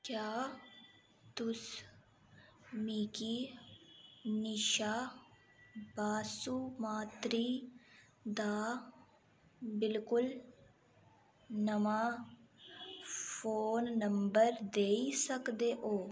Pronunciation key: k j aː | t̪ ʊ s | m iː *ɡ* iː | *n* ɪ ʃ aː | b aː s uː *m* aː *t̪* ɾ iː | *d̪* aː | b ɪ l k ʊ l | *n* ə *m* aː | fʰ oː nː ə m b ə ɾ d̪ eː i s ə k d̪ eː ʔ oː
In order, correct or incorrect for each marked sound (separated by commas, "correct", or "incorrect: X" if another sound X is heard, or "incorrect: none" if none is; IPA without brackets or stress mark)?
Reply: incorrect: k, correct, correct, correct, correct, correct, correct